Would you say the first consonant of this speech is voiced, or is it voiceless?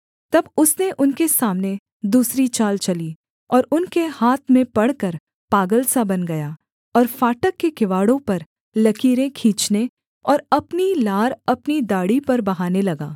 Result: voiceless